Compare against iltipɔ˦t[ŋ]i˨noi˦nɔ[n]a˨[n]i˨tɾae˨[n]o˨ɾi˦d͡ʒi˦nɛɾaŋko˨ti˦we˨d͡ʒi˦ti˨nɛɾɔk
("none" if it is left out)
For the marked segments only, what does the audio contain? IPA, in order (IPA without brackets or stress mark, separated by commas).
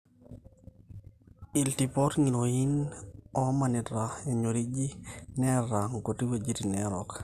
ŋ, m, n, ɲ